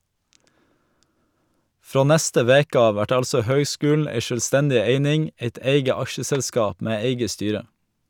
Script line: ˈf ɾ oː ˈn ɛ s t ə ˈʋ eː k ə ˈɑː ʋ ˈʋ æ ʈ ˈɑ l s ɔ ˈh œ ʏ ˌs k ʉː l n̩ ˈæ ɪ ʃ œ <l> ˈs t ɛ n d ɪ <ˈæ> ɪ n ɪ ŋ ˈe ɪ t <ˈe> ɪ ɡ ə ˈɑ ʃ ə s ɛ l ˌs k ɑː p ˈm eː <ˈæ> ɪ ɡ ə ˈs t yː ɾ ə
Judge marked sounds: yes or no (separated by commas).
yes, no, yes, no